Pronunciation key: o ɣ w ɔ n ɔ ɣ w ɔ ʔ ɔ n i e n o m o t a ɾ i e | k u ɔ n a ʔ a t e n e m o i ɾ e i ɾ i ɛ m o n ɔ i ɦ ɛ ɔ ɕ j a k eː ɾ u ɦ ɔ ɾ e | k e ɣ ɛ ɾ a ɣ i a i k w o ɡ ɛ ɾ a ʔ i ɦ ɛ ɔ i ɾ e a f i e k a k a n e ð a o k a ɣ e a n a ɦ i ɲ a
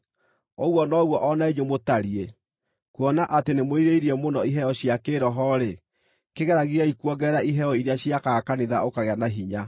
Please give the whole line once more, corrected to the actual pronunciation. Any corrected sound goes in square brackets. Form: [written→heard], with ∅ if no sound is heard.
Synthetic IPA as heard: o ɣ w ɔ n ɔ ɣ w ɔ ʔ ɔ n [i→a] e [n→ɲ] o m o t a ɾ i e | k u ɔ n a ʔ a t e n e m o i ɾ e i ɾ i ɛ m o n ɔ i ɦ ɛ ɔ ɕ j a k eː ɾ [u→ɔ] ɦ ɔ ɾ e | k e ɣ ɛ ɾ a ɣ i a i k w [o→ɔ] ɡ ɛ ɾ a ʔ i ɦ ɛ ɔ i ɾ e a [f→ɕ] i [e→a] k a k a n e ð a o k a ɣ e a n a ɦ i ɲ a